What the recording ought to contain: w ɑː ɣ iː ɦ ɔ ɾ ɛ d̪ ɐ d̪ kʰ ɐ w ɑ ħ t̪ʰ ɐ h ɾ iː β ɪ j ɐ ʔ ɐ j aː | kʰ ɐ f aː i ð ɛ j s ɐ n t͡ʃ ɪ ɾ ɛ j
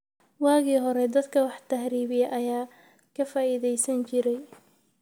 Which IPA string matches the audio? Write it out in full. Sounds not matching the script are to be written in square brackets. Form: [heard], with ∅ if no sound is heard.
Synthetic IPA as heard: w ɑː ɣ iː ɦ ɔ ɾ ɛ d̪ ɐ d̪ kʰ ɐ w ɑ ħ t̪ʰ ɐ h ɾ iː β ɪ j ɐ ʔ ɐ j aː | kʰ ɐ f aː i ð ɛ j s ɐ n t͡ʃ ɪ ɾ ɛ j